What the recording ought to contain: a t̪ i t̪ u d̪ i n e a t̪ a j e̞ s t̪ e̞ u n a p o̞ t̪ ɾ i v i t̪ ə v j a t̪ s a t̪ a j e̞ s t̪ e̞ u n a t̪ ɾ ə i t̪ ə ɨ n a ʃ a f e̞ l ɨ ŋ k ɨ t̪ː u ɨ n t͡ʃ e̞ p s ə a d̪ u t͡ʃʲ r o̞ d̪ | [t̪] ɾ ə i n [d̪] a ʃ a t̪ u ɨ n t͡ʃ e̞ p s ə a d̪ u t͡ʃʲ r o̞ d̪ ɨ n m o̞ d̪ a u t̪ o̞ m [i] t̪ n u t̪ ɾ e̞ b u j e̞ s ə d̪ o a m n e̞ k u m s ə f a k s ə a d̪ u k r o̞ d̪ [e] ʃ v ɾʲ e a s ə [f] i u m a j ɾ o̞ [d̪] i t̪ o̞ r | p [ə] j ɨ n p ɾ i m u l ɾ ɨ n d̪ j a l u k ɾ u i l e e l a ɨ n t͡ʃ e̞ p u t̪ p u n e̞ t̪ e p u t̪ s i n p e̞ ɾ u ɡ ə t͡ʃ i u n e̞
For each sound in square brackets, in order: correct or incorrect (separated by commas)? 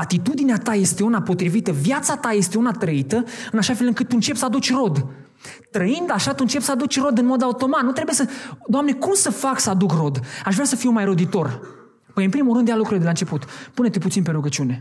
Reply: correct, correct, incorrect, incorrect, correct, correct, correct